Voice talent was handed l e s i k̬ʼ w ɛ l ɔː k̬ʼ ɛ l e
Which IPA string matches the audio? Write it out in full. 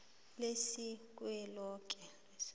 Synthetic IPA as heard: l e s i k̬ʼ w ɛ l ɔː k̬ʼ ɛ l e